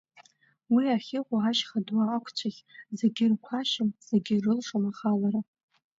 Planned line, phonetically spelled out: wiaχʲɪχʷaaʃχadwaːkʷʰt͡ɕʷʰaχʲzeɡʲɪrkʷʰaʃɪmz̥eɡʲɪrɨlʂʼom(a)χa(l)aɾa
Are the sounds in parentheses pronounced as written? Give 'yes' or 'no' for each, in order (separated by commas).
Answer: yes, yes